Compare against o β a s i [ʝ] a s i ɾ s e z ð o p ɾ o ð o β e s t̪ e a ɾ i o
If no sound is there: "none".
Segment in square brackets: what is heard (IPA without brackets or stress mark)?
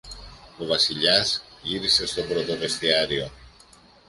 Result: ʎ